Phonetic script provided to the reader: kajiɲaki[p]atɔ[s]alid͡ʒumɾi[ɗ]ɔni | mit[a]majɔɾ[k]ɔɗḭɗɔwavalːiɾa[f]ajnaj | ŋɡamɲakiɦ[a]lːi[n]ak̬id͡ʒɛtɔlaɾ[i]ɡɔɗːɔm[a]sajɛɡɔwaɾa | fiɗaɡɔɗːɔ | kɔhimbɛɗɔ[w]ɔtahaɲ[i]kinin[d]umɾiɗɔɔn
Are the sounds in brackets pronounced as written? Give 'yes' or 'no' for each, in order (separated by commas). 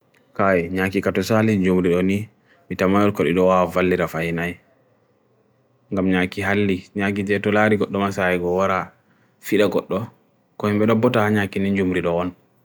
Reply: no, yes, yes, yes, yes, yes, yes, no, yes, yes, no, no, no